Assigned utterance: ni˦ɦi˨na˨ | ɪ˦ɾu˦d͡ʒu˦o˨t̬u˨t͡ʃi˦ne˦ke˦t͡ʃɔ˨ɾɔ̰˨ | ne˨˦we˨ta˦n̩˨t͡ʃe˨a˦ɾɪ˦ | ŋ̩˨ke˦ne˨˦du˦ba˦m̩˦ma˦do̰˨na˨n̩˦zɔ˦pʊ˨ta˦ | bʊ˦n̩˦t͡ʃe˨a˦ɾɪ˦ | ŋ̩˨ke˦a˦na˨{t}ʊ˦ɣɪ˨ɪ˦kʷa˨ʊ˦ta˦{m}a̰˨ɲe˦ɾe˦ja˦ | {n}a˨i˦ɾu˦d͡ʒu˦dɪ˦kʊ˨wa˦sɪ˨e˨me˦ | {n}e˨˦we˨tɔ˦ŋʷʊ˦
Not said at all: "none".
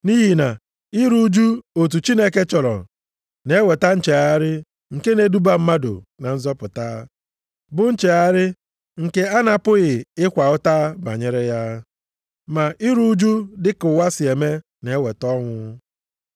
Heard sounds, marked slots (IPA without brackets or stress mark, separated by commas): p, b, m, n